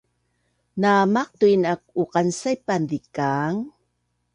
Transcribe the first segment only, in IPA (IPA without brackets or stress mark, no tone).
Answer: n